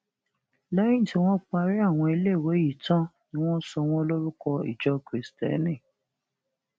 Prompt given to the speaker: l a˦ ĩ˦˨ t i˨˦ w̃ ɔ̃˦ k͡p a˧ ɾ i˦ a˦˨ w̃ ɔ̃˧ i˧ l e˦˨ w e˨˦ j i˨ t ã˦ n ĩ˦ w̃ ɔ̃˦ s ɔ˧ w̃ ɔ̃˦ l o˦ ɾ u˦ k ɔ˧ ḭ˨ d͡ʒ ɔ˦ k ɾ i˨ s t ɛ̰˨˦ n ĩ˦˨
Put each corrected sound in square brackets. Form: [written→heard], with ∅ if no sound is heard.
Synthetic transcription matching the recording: l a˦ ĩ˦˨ t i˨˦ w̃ ɔ̃˦ k͡p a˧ ɾ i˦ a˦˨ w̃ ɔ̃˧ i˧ l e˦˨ w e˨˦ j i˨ t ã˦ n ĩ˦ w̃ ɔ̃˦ s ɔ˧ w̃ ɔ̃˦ l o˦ ɾ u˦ k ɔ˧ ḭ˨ d͡ʒ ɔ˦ k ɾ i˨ s t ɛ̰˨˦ n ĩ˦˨

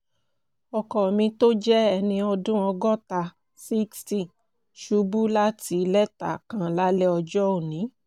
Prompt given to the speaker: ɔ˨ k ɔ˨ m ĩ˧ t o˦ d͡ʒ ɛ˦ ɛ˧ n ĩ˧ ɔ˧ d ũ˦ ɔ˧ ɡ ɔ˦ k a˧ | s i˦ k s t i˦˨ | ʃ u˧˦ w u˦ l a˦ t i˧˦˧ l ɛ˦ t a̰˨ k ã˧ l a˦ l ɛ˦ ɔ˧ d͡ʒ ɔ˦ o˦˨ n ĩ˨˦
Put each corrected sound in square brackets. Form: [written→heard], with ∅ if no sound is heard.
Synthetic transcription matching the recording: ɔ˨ k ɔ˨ m ĩ˧ t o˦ d͡ʒ ɛ˦ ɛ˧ n ĩ˧ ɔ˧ d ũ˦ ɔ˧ ɡ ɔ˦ [k→t] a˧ | s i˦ k s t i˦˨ | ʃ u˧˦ [w→b] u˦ l a˦ t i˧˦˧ l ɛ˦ t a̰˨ k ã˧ l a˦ l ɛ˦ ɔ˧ d͡ʒ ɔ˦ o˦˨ n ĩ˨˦

